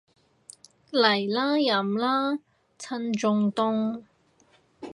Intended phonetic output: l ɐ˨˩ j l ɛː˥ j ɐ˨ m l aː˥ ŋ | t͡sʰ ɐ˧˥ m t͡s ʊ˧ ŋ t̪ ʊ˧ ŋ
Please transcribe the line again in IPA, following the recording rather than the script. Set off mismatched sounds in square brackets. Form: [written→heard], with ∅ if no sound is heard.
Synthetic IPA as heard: l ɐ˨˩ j l [ɛː˥→aː˥] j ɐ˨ m l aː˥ [ŋ→∅] | t͡sʰ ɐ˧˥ [m→n] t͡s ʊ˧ ŋ t̪ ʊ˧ ŋ